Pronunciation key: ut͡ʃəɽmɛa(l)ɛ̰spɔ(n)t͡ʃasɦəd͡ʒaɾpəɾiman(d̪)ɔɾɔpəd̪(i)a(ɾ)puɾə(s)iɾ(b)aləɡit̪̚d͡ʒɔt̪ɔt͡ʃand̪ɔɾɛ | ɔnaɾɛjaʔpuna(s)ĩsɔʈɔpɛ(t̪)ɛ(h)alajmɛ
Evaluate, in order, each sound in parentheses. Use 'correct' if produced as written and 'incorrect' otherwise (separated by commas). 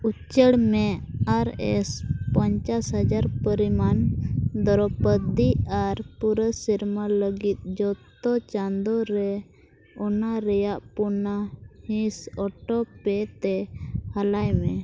incorrect, incorrect, correct, correct, correct, correct, incorrect, incorrect, correct, correct